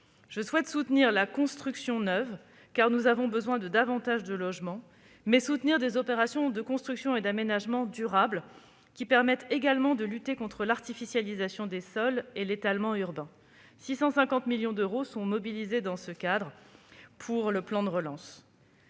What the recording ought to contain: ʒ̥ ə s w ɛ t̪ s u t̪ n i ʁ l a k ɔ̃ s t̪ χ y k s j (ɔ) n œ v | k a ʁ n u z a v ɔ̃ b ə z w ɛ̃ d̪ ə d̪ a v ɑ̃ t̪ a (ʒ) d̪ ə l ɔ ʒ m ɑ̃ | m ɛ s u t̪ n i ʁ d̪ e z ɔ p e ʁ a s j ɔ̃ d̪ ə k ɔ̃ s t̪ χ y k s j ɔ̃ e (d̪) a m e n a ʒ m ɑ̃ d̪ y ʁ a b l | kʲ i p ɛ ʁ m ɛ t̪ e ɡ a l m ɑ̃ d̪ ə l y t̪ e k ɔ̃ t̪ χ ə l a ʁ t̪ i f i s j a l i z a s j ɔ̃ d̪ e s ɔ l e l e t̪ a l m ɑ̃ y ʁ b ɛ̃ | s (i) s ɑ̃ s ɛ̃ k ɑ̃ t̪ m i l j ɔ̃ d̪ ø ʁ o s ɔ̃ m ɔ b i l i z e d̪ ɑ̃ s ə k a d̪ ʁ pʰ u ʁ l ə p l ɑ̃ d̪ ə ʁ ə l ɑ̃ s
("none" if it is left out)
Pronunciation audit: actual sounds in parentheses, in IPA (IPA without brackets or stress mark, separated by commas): ɔ̃, ʒ, d̪, i